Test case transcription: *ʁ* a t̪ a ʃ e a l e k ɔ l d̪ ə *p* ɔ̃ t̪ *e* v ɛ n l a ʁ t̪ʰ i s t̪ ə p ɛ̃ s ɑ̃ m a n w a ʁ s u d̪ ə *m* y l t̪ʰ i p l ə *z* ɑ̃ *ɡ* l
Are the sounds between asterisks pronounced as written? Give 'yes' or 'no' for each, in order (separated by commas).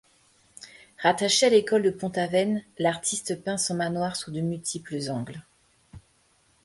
yes, yes, no, yes, yes, yes